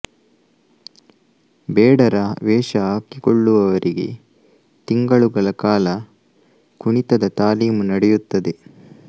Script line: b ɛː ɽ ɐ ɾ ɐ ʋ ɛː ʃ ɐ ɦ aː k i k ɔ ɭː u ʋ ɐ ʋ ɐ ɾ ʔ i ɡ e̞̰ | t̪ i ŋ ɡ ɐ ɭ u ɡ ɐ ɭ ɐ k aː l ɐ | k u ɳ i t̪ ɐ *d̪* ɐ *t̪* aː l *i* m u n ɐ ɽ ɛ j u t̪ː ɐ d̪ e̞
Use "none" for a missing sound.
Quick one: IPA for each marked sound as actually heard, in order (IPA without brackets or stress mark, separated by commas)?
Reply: d̪, t̪, iː